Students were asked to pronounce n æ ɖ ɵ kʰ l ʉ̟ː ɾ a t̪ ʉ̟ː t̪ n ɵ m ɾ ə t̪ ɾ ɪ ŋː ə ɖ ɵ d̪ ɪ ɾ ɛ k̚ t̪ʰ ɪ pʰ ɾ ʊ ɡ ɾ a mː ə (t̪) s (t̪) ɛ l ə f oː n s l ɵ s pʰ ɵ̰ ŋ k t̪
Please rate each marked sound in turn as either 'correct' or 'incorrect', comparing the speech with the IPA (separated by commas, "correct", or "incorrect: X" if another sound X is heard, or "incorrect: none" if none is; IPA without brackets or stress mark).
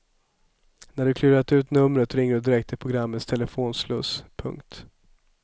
correct, incorrect: t̪ʰ